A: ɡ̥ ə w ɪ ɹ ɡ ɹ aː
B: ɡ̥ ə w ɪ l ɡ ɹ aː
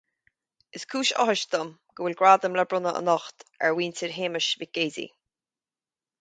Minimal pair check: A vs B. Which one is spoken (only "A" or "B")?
B